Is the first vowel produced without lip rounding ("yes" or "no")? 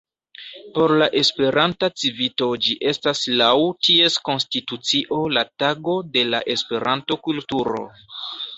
no